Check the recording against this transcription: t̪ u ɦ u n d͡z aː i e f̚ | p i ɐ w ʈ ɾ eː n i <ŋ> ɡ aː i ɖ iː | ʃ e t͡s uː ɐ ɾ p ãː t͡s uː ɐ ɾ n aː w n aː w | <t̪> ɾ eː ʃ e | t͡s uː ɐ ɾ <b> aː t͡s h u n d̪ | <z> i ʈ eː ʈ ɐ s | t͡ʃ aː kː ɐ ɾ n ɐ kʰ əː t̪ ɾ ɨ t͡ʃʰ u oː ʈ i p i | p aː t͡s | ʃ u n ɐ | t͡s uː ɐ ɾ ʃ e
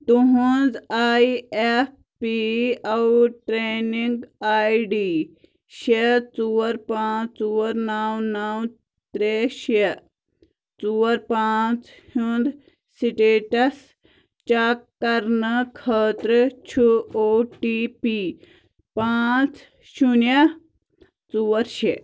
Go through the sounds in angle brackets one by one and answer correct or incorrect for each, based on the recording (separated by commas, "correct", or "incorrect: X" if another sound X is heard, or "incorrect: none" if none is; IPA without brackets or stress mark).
correct, correct, incorrect: p, incorrect: s